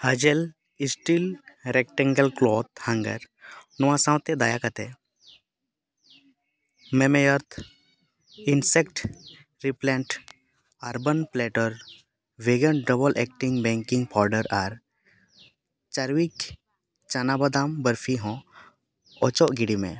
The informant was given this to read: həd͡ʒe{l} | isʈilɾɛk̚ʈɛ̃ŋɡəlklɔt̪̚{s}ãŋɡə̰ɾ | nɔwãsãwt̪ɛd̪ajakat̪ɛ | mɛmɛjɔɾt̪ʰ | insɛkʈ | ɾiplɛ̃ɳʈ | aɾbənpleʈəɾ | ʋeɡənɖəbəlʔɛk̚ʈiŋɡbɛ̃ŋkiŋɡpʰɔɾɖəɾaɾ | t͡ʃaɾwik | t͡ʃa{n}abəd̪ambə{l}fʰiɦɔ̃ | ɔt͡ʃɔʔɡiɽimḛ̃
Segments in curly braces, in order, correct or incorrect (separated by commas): correct, incorrect, correct, incorrect